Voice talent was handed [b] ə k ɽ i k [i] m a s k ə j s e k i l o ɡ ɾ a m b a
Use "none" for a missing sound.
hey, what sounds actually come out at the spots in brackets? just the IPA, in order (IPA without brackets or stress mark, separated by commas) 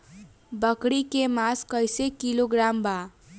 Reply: b, e